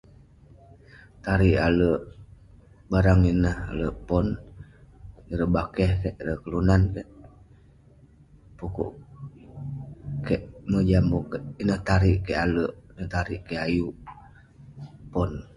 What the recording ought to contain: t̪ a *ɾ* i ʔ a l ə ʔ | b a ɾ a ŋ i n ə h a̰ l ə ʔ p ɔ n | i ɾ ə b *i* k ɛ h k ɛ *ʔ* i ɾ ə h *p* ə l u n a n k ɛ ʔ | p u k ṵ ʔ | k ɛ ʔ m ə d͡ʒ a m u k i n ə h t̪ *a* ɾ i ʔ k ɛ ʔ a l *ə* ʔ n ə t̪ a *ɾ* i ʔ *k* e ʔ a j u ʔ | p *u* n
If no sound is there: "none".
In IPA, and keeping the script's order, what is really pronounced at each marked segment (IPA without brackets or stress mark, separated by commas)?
ɾ, a, ʔ, k, a, ə, ɾ, k, ɔ